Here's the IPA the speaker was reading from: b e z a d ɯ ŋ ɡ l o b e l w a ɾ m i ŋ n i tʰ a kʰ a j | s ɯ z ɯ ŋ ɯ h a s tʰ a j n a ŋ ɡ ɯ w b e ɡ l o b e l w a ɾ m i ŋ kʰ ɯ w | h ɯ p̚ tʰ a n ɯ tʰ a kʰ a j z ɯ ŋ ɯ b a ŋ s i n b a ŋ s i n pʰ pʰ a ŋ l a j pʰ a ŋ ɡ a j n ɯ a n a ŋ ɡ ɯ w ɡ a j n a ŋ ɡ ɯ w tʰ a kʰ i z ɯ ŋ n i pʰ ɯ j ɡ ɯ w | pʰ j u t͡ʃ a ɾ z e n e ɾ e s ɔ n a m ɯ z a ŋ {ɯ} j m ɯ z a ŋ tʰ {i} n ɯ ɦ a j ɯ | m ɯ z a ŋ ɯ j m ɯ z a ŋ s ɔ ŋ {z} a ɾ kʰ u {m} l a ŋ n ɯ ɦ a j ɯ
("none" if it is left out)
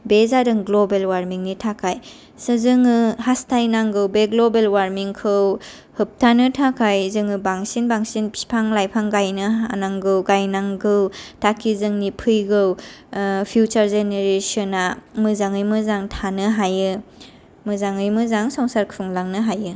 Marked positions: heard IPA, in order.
ɯ, a, s, ŋ

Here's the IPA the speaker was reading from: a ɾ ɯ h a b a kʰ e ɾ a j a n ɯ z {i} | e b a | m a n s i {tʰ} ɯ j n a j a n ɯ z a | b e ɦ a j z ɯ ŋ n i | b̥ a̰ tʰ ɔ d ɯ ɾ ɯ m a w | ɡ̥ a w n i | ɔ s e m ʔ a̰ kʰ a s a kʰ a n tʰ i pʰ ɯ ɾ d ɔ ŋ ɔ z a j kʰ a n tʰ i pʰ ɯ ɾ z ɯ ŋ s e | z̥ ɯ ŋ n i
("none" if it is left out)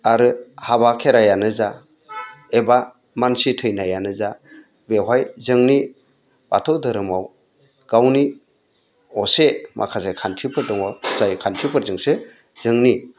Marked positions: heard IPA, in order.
a, tʰ

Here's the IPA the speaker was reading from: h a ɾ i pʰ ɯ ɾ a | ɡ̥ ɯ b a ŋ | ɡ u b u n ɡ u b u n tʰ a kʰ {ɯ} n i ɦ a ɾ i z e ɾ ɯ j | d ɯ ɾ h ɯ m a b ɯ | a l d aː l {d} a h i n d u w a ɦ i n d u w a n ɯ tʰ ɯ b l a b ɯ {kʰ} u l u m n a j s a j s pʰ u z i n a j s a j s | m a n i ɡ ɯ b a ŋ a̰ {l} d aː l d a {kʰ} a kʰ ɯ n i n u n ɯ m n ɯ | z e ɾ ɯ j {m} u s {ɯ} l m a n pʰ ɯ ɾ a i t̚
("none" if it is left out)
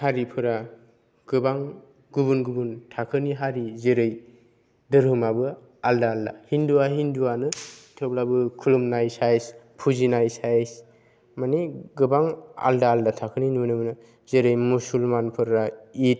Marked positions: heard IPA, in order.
ɯ, d, kʰ, l, tʰ, m, u

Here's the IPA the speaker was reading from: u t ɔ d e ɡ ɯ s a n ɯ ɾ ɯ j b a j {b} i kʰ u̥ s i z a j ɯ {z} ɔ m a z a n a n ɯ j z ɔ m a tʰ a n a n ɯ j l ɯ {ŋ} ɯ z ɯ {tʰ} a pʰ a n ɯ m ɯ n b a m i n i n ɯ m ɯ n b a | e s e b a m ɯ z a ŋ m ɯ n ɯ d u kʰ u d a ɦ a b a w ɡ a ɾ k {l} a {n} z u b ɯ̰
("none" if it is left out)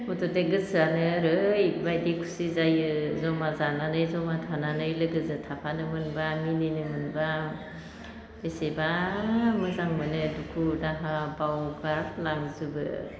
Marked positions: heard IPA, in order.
d, z, ɡ, tʰ, l, ŋ

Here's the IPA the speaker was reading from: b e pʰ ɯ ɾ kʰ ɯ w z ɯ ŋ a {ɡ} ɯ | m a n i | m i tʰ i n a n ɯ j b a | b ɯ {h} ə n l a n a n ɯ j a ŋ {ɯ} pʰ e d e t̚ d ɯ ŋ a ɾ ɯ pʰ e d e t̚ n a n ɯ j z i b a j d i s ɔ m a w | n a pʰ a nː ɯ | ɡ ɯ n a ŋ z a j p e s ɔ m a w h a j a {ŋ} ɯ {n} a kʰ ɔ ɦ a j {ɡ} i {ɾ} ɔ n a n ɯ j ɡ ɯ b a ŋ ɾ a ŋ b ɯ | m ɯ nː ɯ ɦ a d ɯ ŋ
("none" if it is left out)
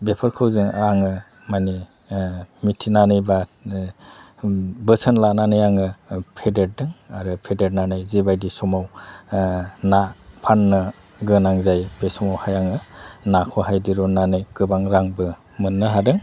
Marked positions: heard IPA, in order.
ŋ, s, ɯ, ŋ, n, d, ɾ

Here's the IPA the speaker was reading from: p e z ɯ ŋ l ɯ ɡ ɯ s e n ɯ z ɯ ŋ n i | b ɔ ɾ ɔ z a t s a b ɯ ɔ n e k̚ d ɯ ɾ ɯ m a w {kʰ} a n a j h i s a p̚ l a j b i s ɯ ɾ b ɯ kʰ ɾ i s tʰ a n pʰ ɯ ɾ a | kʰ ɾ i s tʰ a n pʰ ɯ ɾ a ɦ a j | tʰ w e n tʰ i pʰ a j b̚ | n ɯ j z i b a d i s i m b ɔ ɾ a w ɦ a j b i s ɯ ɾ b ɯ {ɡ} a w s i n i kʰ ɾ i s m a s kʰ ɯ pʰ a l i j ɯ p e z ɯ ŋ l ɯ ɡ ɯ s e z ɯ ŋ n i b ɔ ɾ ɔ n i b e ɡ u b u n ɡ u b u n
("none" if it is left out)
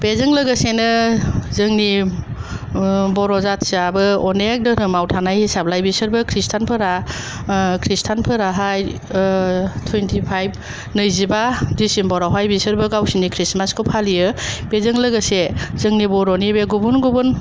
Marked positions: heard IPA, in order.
tʰ, ɡ

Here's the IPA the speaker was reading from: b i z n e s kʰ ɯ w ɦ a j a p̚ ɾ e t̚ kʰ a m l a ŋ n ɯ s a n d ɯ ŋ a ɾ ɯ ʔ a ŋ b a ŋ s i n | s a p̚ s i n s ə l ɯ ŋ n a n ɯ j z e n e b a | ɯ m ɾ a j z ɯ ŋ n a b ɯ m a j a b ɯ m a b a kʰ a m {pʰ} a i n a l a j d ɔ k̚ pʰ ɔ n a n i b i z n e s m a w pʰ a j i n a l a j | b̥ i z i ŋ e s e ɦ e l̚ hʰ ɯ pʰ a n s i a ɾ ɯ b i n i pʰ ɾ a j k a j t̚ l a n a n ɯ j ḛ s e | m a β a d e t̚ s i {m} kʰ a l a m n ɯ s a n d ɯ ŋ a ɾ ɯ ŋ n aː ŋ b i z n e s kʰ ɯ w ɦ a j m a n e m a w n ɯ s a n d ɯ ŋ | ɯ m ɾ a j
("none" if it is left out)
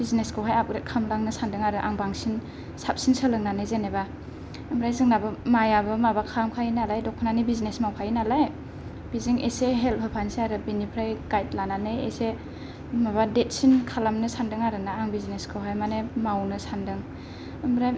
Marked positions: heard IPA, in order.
kʰ, n

